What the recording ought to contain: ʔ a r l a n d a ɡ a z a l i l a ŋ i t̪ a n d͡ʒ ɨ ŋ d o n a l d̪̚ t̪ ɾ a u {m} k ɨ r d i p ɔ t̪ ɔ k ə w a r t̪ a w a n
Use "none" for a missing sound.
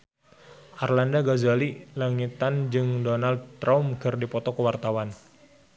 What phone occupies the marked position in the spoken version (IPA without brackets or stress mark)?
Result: m